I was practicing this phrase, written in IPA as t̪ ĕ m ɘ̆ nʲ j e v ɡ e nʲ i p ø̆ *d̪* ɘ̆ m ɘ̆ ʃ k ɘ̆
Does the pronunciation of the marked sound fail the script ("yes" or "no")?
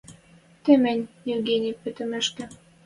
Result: yes